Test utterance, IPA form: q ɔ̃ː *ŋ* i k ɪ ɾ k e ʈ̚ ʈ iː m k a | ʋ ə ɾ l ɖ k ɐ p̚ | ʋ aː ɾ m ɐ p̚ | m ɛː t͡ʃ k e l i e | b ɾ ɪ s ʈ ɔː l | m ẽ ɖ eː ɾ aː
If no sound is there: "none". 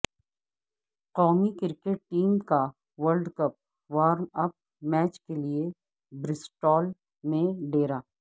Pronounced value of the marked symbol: ŋ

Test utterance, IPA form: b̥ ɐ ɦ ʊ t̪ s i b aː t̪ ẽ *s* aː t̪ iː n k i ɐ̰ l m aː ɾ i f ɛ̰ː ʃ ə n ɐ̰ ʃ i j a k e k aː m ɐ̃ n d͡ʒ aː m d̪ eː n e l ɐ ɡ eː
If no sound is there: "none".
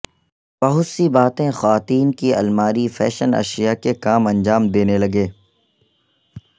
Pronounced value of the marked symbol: x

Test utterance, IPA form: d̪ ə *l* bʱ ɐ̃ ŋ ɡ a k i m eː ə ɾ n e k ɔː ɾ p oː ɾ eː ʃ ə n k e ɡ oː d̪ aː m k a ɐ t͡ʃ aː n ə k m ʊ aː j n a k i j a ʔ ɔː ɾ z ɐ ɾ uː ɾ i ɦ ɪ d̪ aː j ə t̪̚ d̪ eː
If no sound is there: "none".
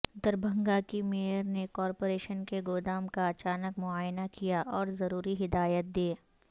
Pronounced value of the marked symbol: ɾ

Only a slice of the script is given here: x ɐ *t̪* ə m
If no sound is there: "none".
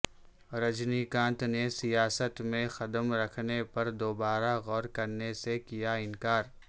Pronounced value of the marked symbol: d̪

